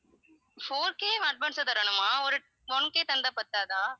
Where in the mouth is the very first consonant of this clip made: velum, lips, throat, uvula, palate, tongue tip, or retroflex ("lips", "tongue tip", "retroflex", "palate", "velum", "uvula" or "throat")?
lips